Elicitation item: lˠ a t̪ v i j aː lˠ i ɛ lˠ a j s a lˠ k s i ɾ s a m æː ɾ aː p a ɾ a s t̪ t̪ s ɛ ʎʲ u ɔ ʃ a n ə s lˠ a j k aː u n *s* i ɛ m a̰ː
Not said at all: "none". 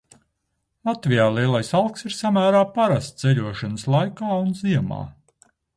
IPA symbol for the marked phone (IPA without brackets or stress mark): z